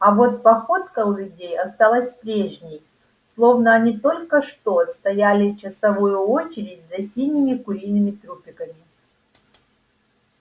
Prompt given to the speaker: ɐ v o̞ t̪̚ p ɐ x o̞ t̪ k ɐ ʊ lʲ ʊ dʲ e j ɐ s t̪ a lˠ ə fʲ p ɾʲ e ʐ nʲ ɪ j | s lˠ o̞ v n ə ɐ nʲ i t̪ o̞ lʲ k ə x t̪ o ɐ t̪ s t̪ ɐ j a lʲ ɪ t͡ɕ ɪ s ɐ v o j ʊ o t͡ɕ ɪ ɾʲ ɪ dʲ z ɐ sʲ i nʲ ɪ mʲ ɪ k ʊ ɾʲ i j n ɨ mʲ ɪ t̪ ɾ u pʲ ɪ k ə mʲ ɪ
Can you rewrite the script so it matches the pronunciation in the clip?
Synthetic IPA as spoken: ɐ v o̞ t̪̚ p ɐ x o̞ t̪ k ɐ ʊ lʲ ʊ dʲ e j ɐ s t̪ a lˠ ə sʲ p ɾʲ e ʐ nʲ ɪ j | s lˠ o̞ v n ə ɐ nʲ i t̪ o̞ lʲ k ə ʂ t̪ o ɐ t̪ s t̪ ɐ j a lʲ ɪ t͡ɕ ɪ s ɐ v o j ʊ o t͡ɕ ɪ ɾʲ ɪ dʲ z ɐ sʲ i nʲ ɪ mʲ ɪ k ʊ ɾʲ i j n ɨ mʲ ɪ t̪ ɾ u pʲ ɪ k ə mʲ ɪ